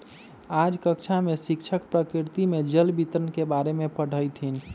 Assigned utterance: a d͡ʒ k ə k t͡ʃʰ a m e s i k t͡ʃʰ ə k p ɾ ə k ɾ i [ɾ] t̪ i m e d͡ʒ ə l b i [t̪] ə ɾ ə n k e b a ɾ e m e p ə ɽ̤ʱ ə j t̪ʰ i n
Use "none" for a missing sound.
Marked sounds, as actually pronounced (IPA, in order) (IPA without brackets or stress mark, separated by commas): ɾ, t̪